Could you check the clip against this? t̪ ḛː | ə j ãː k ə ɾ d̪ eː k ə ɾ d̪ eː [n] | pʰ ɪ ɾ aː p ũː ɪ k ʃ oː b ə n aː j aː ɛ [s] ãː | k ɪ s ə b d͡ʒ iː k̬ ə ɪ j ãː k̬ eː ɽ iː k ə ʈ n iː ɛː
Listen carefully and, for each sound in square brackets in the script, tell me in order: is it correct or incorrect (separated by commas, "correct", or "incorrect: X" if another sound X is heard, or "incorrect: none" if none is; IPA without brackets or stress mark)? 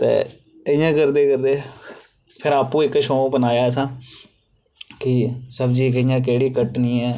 incorrect: none, correct